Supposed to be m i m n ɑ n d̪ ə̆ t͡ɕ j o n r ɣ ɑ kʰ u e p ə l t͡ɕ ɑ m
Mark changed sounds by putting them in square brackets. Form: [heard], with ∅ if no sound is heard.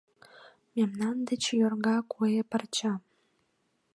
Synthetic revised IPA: m [e] m n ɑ n d̪ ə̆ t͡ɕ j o [∅] r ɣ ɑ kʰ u e p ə [r] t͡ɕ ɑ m

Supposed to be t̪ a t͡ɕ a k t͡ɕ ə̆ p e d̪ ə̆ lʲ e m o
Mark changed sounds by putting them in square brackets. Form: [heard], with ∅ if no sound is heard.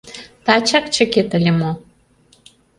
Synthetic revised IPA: t̪ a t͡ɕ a k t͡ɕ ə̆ [k] e [t̪] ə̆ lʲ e m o

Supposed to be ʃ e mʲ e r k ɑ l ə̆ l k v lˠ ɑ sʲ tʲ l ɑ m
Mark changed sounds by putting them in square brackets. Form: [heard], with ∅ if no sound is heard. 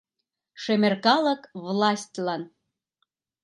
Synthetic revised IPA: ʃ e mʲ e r k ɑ l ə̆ [∅] k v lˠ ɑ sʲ tʲ l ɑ [n]

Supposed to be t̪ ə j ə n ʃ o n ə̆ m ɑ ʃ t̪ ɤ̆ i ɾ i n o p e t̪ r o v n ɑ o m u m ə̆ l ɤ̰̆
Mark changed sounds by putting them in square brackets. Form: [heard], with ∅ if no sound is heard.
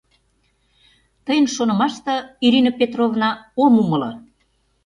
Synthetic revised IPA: t̪ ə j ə n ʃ o n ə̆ m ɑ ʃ t̪ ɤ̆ i ɾ i n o p e t̪ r o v n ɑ o m u m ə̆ l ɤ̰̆

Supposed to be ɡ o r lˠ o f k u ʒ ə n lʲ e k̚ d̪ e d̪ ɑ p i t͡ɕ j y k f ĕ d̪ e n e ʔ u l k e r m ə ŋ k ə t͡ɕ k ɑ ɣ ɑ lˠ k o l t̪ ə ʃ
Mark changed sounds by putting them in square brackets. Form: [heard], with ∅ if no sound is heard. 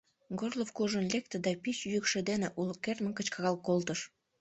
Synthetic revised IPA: ɡ o r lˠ o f k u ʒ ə n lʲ e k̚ [t̪] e d̪ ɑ p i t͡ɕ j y k [ʃ] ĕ d̪ e n e ʔ u l k e r m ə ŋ k ə t͡ɕ k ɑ ɣ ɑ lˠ k o l t̪ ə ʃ

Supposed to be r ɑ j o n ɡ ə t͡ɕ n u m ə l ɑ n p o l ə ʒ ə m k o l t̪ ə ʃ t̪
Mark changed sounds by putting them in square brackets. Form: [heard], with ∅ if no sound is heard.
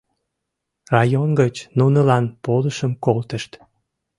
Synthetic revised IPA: r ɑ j o n ɡ ə t͡ɕ n u [n] ə l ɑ n p o l ə [ʃ] ə m k o l t̪ ə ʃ t̪

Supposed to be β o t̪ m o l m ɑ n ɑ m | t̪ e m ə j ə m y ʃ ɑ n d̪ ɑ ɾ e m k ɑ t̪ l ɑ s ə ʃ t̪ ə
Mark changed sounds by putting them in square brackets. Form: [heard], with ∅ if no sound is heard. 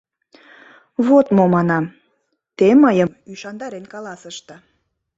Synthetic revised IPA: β o t̪ m o [∅] m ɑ n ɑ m | t̪ e m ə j ə m y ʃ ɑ n d̪ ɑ ɾ e [n] k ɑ [∅] l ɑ s ə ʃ t̪ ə

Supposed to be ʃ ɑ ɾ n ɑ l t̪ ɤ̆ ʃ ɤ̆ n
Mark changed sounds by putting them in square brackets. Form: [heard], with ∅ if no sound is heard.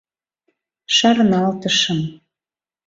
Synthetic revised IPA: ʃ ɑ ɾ n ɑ l t̪ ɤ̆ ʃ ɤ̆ [m]

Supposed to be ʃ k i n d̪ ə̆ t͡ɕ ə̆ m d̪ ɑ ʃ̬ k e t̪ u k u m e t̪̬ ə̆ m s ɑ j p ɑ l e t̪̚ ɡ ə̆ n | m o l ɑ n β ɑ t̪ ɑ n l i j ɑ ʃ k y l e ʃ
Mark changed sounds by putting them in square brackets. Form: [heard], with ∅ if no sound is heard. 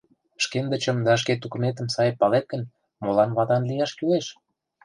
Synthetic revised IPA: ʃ k [e] n d̪ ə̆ t͡ɕ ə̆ m d̪ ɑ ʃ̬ k e t̪ u k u m e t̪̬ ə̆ m s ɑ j p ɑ l e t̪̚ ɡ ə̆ n | m o l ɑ n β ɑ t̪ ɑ n l i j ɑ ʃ k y l e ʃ

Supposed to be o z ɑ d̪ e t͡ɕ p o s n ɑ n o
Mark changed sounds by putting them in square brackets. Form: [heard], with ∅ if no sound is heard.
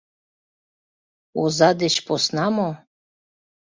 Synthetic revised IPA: o z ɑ d̪ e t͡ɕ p o s n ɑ [m] o

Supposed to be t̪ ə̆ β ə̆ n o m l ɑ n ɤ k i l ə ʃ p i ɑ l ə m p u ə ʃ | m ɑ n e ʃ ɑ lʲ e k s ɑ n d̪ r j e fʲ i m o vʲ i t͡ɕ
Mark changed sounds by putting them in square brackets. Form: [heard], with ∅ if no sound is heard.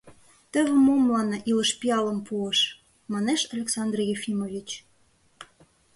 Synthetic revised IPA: t̪ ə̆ β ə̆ [m] o m l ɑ n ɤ [ʔ] i l ə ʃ p i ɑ l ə m p u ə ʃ | m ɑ n e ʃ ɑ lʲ e k s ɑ n d̪ r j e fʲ i m o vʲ i t͡ɕ

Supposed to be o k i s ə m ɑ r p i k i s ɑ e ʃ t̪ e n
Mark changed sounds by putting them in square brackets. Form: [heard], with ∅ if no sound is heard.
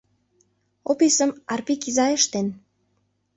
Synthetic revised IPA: o [p] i s ə m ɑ r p i k i [z] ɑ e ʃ t̪ e n

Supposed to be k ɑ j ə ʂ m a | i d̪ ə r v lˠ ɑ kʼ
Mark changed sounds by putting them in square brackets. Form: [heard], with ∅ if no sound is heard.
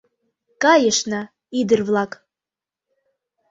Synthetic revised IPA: k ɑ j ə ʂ [n] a | i d̪ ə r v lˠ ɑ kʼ

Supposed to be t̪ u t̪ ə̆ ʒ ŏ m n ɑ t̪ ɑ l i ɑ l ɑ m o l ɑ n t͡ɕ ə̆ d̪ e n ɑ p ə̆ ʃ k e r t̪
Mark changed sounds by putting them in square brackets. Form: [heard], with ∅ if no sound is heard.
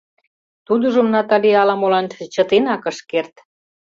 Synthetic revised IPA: t̪ u [d̪] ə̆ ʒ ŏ m n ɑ t̪ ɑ l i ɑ l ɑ m o l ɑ n t͡ɕ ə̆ [t̪] e n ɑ [k] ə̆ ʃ k e r t̪

